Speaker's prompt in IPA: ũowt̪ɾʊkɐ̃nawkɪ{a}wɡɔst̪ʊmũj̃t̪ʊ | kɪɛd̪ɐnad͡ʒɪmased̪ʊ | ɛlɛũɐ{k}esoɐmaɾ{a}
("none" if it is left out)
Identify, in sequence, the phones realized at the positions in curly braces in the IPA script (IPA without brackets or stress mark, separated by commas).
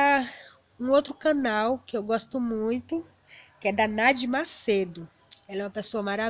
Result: e, p, a